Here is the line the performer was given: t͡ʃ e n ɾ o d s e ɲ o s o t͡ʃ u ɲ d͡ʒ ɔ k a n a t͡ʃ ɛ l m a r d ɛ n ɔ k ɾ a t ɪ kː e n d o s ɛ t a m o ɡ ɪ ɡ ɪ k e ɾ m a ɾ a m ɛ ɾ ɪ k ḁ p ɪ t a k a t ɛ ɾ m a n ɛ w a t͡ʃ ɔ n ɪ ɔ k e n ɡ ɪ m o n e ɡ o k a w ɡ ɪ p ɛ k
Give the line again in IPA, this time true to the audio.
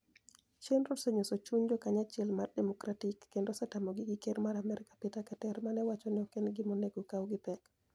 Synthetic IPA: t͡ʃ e n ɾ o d s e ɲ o s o t͡ʃ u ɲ d͡ʒ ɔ k a ɲ a t͡ʃ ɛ l m a r d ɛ m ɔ k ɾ a t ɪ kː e n d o s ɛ t a m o ɡ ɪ ɡ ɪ k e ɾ m a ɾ a m ɛ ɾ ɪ k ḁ p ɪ t a k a t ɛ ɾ m a n ɛ w a t͡ʃ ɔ n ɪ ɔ k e n ɡ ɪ m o n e ɡ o k a w ɡ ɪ p ɛ k